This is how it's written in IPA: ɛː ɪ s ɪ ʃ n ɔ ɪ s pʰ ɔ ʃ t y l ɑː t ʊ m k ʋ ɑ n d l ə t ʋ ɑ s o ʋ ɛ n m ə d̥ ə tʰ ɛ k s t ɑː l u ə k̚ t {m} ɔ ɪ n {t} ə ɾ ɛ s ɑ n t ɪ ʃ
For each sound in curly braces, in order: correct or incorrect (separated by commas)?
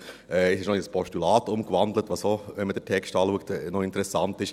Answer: incorrect, correct